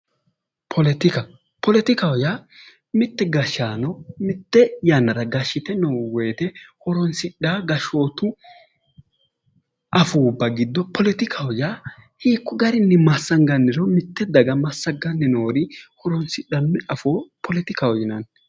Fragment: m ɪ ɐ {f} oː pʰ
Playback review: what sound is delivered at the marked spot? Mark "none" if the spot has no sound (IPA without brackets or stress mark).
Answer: f